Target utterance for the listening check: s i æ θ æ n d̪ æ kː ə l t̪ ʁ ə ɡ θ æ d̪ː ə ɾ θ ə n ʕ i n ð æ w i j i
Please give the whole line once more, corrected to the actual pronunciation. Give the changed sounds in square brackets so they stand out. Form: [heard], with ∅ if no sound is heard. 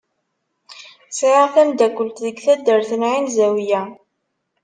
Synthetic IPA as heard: s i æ θ æ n d̪ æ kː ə l t̪ [ð] ə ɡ θ æ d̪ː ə ɾ θ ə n ʕ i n [z] æ w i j [æ]